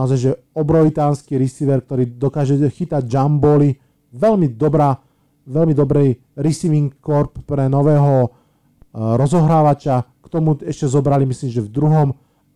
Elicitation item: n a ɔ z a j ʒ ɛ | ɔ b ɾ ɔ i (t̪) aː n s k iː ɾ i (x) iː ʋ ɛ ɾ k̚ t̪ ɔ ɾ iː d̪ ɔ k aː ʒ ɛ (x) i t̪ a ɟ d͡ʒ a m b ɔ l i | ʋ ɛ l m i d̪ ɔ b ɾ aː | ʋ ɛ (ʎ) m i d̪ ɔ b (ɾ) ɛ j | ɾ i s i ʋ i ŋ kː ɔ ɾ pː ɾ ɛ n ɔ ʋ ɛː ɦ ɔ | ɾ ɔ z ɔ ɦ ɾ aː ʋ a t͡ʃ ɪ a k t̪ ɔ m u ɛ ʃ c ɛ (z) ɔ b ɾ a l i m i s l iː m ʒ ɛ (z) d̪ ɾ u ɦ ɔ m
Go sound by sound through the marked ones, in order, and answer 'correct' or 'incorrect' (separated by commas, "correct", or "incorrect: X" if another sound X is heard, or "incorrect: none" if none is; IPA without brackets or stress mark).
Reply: correct, incorrect: s, correct, incorrect: l, correct, correct, incorrect: v